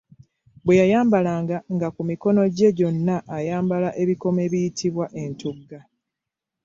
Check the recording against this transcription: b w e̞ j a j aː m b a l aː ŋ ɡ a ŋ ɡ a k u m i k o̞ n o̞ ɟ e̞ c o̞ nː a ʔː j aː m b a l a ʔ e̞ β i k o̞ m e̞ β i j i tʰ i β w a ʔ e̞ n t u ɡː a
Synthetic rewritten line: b w e̞ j a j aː m b a l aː ŋ ɡ a ŋ ɡ a k u m i k o̞ n o̞ ɟ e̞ ɟ o̞ nː a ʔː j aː m b a l a ʔ e̞ β i k o̞ m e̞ β i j i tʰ i β w a ʔ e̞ n t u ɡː a